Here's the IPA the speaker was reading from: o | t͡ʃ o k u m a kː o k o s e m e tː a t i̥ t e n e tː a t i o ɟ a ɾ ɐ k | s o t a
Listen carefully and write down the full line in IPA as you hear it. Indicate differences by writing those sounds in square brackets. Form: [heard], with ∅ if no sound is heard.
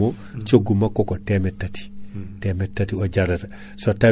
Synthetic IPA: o | t͡ʃ o [ɡ] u m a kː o k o [t] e m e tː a t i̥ t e [m] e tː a t i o ɟ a ɾ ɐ [t] | s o t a

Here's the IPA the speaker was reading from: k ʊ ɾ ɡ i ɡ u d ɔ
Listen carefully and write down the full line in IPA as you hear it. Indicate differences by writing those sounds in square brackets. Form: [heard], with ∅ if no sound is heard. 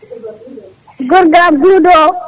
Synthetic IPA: [ɡ] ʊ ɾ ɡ [a] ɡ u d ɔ

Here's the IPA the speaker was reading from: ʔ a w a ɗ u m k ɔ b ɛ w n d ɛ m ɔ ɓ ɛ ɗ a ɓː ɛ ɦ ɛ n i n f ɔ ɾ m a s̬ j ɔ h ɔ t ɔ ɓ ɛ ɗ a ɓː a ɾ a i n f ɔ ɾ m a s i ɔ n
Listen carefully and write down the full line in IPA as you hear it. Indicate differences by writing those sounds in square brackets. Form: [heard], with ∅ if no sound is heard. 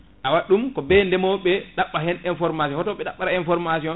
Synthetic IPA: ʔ a w a ɗ u m k ɔ b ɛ [∅] n d ɛ m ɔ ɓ ɛ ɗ a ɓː [a] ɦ ɛ n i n f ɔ ɾ m a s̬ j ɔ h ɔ t ɔ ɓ ɛ ɗ a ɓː a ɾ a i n f ɔ ɾ m a s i ɔ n

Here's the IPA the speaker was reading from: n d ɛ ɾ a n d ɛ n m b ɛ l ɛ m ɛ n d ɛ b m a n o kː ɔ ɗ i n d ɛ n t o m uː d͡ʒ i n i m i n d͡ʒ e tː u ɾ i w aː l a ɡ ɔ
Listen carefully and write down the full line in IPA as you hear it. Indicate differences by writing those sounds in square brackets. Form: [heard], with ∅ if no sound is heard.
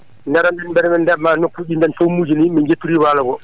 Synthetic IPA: n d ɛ ɾ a n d ɛ n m b ɛ [ɾ] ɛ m ɛ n d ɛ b m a n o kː [u] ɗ i n d ɛ n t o m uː d͡ʒ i n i m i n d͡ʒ e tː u ɾ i w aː l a ɡ ɔ

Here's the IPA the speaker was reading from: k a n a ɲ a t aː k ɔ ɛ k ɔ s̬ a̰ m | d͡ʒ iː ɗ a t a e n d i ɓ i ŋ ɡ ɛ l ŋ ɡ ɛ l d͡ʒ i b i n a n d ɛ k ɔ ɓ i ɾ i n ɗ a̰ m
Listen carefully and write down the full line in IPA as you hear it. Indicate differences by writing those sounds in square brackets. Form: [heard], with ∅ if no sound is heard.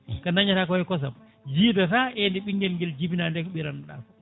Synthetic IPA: k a n a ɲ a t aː k ɔ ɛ k ɔ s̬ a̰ m | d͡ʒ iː [d] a t a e n d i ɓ i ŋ ɡ ɛ l ŋ ɡ ɛ l d͡ʒ i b i n a n d ɛ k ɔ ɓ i ɾ [a] n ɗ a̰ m

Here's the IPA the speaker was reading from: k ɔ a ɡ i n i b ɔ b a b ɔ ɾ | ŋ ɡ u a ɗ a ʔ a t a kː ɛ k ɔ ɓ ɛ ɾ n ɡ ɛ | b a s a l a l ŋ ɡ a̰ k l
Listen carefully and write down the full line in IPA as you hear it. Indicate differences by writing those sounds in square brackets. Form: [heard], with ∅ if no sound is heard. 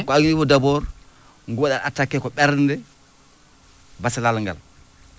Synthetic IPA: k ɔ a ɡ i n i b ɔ [d] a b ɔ ɾ | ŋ ɡ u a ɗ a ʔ a t a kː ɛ k ɔ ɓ ɛ ɾ n [d] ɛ | b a s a l a l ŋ ɡ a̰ [∅] l

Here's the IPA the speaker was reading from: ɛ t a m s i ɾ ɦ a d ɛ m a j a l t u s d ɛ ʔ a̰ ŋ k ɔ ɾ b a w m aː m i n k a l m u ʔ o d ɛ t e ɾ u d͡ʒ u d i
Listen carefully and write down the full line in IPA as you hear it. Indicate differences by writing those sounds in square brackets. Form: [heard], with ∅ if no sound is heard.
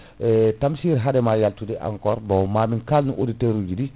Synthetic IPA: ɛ t a m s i ɾ ɦ a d ɛ m a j a l t u [∅] d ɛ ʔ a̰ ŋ k ɔ ɾ b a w m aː m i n k a l [n] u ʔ o d [i] t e ɾ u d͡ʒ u d i

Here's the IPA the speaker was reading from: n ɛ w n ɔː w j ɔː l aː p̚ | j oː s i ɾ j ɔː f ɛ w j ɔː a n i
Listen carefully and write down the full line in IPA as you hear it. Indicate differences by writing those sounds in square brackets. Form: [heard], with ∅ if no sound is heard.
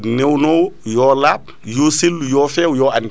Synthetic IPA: n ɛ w n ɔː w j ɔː l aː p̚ | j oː s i [l] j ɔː f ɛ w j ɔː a n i

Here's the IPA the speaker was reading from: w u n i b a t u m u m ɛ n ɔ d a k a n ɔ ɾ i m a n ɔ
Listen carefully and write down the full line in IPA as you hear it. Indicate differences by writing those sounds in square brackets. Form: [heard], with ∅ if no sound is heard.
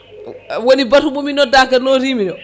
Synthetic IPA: w [o] n i b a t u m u m [i] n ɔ d a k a n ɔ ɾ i m [i] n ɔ

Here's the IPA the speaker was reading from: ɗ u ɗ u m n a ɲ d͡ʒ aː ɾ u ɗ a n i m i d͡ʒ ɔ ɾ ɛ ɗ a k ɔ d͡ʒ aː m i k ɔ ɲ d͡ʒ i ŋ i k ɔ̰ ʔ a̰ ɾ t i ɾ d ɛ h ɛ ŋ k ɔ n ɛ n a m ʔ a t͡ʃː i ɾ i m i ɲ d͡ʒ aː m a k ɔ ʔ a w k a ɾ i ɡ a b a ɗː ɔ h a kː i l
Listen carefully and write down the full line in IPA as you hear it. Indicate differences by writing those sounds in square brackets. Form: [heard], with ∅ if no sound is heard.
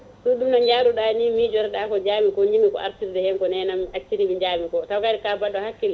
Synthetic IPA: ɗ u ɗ u m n a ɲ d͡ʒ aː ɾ u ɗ a n i m i d͡ʒ ɔ ɾ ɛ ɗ a k ɔ d͡ʒ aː m i k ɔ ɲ d͡ʒ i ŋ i k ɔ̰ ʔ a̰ ɾ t i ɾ d ɛ h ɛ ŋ k ɔ n ɛ n a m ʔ a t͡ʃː i ɾ i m i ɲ d͡ʒ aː m [i] k ɔ [t] a w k a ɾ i [k] a b a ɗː ɔ h a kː i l

